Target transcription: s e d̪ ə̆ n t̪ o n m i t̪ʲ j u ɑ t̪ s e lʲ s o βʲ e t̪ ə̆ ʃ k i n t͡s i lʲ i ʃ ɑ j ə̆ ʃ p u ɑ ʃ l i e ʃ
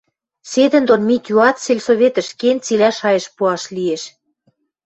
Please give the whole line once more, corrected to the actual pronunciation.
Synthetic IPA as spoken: s e d̪ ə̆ n d̪ o n m i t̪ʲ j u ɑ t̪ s e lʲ s o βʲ e t̪ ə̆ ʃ k e n t͡s i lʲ æ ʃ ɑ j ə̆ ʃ p u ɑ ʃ l i e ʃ